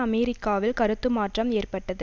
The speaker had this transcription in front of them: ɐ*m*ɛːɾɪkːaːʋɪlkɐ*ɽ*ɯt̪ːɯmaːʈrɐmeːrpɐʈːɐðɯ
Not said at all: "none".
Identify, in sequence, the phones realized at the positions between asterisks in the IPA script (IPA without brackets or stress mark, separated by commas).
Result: m, ɾ